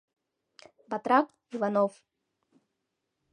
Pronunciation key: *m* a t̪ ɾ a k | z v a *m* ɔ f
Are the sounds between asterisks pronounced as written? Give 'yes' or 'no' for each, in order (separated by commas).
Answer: no, no